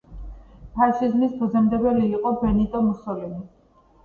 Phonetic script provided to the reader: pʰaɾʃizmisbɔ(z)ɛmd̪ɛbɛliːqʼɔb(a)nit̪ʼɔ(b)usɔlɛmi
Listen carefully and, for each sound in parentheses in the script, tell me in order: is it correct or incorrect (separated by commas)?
correct, incorrect, incorrect